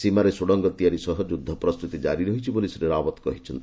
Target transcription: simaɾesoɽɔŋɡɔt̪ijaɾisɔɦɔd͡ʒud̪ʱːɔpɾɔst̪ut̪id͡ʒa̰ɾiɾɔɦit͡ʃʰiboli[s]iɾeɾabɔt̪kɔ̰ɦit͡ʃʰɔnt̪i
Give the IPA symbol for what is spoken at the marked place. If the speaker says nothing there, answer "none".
s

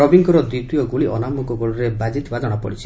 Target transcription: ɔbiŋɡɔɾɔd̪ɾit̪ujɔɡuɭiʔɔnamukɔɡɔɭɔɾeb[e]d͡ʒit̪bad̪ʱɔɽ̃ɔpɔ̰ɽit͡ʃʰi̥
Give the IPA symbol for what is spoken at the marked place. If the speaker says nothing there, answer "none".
a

